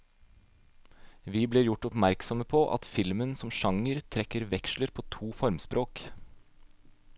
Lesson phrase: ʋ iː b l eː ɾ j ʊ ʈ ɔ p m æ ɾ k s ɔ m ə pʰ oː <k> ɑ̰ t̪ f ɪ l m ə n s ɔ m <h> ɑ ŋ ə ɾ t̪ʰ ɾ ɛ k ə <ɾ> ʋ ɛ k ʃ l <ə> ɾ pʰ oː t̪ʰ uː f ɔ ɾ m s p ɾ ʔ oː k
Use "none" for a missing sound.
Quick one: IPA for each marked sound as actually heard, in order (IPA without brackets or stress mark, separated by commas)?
ʔ, ʃ, ɾ, ə